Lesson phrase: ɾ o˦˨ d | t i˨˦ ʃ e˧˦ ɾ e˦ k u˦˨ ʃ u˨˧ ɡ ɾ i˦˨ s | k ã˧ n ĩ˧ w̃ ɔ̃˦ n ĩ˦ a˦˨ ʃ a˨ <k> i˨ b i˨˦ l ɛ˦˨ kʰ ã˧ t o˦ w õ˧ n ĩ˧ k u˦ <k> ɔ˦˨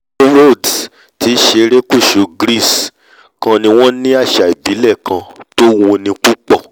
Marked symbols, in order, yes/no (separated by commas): no, no